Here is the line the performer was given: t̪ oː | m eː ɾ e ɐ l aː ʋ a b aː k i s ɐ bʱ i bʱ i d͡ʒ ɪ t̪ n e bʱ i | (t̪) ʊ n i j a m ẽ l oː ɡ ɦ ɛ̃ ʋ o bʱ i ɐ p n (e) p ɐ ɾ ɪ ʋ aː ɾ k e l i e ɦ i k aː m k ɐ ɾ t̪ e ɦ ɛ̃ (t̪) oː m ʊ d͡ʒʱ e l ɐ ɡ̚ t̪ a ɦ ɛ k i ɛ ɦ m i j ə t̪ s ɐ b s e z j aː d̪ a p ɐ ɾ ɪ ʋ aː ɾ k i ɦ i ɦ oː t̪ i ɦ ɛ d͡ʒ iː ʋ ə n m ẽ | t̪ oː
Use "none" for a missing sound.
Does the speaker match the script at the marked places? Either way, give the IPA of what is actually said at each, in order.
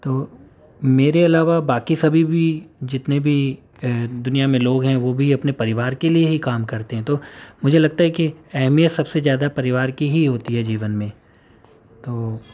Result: d̪, e, t̪

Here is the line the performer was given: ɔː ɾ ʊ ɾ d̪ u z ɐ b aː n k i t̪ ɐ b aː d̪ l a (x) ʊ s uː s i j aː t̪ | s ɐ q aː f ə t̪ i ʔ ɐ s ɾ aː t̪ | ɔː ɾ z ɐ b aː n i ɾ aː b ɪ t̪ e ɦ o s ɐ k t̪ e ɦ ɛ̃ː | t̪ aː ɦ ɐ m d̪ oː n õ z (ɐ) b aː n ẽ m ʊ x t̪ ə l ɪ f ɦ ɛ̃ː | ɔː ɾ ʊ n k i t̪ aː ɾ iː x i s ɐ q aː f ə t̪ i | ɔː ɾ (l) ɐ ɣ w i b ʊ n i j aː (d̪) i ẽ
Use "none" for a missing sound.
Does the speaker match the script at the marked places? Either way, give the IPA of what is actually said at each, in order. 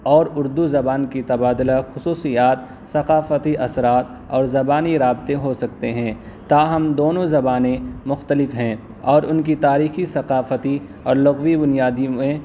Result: x, ɐ, l, d̪

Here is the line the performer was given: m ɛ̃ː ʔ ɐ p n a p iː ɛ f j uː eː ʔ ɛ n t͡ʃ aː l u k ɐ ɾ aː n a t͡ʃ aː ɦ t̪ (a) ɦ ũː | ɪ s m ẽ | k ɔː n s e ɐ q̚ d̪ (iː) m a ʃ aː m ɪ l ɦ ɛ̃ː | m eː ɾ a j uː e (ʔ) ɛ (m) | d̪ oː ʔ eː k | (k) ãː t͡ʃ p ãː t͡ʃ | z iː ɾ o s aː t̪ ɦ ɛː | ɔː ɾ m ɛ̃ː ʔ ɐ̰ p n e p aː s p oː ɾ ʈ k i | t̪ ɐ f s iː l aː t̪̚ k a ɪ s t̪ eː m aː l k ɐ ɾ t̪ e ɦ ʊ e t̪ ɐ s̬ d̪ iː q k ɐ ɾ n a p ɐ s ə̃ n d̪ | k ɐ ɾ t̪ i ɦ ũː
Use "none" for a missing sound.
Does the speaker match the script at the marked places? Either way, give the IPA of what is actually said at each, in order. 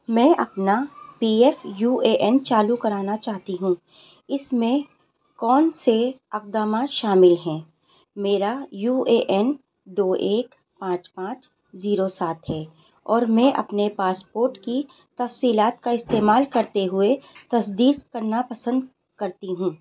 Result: i, aː, ʔ, n, p

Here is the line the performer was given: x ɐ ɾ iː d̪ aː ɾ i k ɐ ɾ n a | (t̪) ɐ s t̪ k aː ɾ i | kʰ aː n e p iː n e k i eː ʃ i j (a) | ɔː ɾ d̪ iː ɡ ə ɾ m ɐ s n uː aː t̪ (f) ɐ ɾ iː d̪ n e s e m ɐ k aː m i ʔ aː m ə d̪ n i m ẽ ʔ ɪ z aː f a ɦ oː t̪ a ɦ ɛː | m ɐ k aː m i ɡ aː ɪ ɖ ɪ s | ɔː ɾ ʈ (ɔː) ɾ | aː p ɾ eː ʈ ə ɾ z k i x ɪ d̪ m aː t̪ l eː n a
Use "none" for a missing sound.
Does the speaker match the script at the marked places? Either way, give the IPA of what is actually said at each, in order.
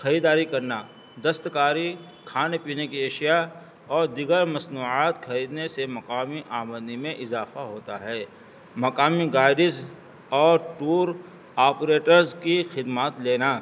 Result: d̪, a, x, uː

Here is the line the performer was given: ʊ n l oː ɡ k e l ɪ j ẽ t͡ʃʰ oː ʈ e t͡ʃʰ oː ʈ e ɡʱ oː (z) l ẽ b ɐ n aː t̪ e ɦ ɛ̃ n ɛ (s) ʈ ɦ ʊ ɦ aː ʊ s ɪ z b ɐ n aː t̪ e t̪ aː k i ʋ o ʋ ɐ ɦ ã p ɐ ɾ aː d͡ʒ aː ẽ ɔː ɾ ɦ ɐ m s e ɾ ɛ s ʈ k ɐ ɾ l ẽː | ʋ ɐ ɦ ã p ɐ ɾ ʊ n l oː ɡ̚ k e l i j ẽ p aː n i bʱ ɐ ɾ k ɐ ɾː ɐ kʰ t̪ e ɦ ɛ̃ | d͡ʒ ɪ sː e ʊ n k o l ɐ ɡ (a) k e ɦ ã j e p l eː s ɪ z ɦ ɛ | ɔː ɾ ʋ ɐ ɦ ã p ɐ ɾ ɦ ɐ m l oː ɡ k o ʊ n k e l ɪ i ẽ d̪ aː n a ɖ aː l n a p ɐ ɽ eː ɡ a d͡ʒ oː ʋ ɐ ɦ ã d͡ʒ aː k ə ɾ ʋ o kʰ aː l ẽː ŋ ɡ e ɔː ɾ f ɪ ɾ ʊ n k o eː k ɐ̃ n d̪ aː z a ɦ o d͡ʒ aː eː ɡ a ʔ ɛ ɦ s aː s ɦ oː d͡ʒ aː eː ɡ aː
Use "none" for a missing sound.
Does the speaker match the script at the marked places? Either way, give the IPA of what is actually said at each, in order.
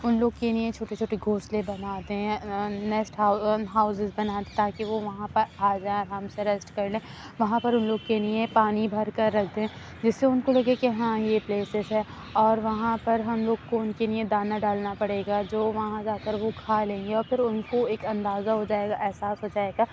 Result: s, s, e

